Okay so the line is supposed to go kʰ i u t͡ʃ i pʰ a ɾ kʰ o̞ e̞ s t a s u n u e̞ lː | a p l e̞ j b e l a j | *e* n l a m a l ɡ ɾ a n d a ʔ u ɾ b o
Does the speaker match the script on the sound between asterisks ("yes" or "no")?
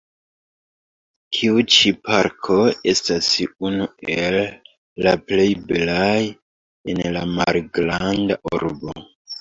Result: yes